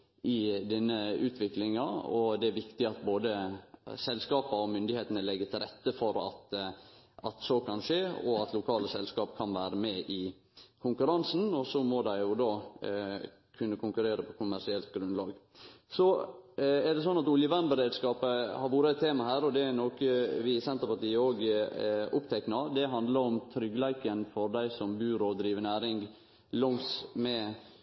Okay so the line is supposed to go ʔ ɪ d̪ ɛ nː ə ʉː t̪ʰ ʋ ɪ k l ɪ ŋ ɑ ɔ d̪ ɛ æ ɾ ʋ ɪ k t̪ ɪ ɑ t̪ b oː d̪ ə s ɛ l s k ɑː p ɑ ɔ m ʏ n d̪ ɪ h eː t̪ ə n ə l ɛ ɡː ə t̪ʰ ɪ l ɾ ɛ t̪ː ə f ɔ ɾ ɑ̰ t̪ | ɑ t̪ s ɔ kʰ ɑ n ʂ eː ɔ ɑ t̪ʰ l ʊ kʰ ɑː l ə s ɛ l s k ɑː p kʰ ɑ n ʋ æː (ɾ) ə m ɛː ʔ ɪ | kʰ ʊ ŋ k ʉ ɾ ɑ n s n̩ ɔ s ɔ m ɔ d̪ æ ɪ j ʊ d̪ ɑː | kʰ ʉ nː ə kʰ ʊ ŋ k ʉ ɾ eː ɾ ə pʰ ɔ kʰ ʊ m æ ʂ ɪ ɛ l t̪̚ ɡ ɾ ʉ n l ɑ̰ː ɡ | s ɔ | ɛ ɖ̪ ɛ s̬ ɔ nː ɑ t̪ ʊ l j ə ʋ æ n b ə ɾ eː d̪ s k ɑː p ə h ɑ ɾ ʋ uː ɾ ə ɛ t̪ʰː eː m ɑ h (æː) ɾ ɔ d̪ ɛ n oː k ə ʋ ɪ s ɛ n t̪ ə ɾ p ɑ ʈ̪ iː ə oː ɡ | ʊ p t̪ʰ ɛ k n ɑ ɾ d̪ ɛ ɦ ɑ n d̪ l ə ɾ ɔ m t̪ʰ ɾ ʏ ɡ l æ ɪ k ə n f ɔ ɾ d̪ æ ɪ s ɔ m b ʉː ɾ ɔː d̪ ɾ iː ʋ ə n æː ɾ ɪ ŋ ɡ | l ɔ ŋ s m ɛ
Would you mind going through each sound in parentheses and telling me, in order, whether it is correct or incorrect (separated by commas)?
correct, correct